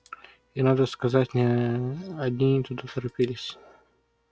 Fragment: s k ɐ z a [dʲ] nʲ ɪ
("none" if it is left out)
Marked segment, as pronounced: tʲ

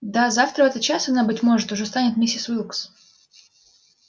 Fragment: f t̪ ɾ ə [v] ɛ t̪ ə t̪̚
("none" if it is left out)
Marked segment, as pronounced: v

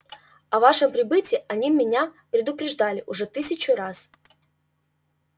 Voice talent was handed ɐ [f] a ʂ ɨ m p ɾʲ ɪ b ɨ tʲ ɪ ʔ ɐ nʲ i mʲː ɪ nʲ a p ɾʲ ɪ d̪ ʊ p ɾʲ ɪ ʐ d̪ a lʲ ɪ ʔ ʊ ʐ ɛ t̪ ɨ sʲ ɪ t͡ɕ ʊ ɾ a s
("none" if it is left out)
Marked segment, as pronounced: v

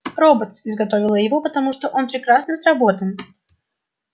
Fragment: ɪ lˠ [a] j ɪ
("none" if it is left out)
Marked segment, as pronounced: ə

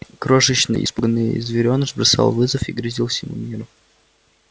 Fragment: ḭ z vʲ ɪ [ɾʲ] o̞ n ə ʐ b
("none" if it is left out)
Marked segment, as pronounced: ɾʲ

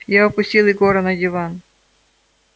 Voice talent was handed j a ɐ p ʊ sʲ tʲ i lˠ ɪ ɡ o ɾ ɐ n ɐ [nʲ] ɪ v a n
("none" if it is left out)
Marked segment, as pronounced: dʲ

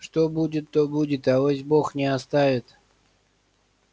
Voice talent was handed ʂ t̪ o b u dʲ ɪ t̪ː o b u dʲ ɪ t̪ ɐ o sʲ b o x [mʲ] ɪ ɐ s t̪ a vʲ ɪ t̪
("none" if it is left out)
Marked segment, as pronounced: nʲ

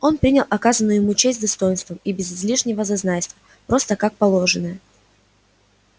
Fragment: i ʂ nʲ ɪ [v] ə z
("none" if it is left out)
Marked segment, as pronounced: v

